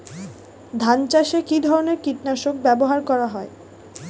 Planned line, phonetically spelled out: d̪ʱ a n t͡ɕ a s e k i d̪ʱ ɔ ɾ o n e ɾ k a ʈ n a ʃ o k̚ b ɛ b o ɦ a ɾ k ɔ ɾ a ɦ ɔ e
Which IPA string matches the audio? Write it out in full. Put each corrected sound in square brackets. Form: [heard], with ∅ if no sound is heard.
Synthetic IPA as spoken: d̪ʱ a n t͡ɕ a [ʃ] e k i d̪ʱ ɔ ɾ o n e ɾ k [i] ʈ n a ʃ o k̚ b ɛ b o ɦ a ɾ k ɔ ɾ a ɦ ɔ e